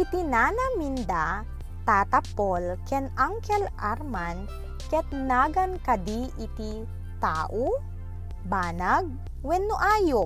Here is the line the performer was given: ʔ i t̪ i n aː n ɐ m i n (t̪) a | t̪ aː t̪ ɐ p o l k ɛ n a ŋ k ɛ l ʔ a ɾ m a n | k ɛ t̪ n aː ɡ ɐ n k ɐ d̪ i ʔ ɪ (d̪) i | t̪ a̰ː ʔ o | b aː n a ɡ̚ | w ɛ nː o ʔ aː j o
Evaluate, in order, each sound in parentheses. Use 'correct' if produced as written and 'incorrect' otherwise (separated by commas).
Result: incorrect, incorrect